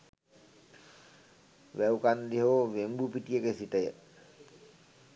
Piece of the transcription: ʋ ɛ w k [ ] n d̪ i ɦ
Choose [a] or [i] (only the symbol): a